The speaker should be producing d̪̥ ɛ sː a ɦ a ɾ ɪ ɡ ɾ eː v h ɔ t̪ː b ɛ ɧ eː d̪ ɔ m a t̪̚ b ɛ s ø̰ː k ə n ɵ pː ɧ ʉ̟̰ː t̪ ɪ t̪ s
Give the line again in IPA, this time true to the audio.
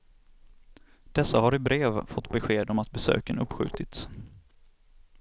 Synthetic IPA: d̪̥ ɛ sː a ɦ a ɾ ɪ b ɾ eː v f ɔ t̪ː b ɛ ɧ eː d̪ ɔ m a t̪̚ b ɛ s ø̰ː k ə n ɵ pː ɧ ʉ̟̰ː t̪ ɪ t̪ s